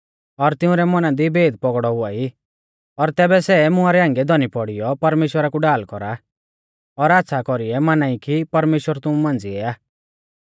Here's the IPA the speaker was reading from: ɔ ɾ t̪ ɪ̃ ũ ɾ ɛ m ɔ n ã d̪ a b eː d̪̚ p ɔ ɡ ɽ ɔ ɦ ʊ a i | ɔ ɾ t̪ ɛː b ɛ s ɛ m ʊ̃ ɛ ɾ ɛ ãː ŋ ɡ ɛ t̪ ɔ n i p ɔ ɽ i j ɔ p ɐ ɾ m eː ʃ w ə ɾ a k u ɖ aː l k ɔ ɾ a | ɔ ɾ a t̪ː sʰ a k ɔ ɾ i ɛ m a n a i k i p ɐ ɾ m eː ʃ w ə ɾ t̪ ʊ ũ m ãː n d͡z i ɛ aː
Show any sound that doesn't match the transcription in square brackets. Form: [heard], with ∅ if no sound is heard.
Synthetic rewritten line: ɔ ɾ t̪ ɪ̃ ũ ɾ ɛ m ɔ n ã d̪ [i] b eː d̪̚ p ɔ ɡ ɽ ɔ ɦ ʊ a i | ɔ ɾ t̪ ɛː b ɛ s ɛ m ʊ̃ [a] ɾ ɛ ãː ŋ ɡ ɛ [d̪] ɔ n i p ɔ ɽ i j ɔ p ɐ ɾ m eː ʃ w ə ɾ a k u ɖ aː l k ɔ ɾ a | ɔ ɾ a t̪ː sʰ a k ɔ ɾ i ɛ m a n a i k i p ɐ ɾ m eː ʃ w ə ɾ t̪ ʊ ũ m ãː n d͡z i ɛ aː